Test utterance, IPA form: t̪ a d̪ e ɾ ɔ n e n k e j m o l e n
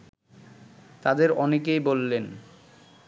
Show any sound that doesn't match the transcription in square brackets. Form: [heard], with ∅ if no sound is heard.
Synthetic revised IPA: t̪ a d̪ e ɾ ɔ n e [∅] k e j [b] o [lː] e n

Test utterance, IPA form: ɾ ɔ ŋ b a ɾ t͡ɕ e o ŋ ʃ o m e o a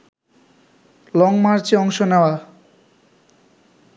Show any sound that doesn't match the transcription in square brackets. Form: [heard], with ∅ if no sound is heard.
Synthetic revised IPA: [l] ɔ ŋ [m] a ɾ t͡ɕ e [ɔ] ŋ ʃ o [n] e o a

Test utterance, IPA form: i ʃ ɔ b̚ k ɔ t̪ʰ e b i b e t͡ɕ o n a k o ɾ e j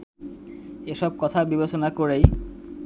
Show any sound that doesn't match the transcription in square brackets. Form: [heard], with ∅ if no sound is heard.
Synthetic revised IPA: [e] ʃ ɔ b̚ k ɔ t̪ʰ [a] b i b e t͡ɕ o n a k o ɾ e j

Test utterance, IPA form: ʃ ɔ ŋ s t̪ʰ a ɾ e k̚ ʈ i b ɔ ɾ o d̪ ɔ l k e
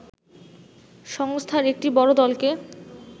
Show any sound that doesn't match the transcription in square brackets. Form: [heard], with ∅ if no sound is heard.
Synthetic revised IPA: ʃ ɔ ŋ s t̪ʰ a ɾ e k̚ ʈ i b ɔ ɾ o d̪ ɔ l k e

